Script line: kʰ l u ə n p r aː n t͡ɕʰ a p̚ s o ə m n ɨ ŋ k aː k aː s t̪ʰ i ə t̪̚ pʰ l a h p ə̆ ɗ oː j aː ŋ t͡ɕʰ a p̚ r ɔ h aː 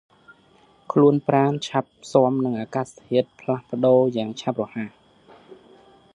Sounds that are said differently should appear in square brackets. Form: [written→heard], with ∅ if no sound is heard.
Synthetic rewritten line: kʰ l u ə n p r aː n t͡ɕʰ a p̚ s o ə m n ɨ ŋ [k→ʔ] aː k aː s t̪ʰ i ə t̪̚ pʰ l a h p ə̆ ɗ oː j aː ŋ t͡ɕʰ a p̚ r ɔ h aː

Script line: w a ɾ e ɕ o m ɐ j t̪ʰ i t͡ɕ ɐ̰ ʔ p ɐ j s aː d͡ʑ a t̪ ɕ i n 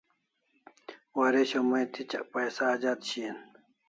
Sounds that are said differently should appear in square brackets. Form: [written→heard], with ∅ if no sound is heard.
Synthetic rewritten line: w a ɾ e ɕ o m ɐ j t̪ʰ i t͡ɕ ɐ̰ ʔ p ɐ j s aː d͡ʑ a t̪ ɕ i n

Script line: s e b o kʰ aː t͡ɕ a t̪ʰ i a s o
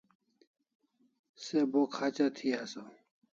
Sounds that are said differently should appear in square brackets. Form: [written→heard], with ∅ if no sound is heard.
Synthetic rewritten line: s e b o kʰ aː t͡ɕ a t̪ʰ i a s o

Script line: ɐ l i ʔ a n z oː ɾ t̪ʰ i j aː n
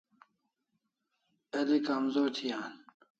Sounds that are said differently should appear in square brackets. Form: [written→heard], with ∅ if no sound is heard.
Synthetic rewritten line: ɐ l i [ʔ→k] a [n→m] z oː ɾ t̪ʰ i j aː n

